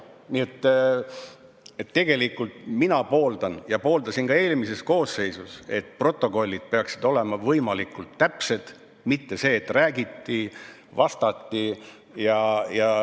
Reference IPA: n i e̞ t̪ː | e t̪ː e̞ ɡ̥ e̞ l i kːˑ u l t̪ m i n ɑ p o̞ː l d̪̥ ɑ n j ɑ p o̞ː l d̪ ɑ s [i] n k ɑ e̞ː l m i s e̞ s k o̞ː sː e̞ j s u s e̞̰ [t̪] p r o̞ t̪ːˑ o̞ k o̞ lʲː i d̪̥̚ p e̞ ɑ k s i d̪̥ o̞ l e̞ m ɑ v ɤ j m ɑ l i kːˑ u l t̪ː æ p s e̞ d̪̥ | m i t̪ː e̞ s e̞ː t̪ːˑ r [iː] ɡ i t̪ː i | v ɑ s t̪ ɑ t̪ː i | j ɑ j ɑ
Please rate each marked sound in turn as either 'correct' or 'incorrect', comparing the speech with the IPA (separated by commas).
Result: correct, correct, incorrect